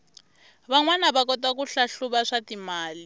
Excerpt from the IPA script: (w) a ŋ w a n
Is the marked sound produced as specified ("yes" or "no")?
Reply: no